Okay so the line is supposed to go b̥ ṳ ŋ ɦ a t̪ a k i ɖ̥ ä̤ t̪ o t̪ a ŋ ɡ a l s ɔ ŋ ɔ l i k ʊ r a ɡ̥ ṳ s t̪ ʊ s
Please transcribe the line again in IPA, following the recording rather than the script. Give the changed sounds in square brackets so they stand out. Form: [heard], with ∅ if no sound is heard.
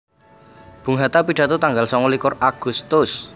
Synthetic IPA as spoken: b̥ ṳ ŋ ɦ a t̪ a [p] i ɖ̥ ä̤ t̪ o t̪ a ŋ ɡ a l s ɔ ŋ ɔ l i k ʊ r a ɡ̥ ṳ s t̪ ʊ s